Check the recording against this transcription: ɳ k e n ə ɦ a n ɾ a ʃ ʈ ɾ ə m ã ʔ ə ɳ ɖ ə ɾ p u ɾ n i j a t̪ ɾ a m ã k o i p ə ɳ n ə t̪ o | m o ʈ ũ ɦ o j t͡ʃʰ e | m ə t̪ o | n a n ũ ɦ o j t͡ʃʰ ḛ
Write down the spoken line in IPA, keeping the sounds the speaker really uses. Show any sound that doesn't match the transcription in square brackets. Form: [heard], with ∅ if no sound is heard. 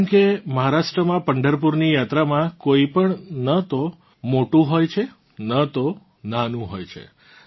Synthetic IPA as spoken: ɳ k e [m] ə ɦ a [∅] ɾ a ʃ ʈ ɾ ə m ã [p] ə ɳ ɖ ə ɾ p u ɾ n i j a t̪ ɾ a m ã k o i p ə ɳ n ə t̪ o | m o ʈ ũ ɦ o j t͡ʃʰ e | [n] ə t̪ o | n a n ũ ɦ o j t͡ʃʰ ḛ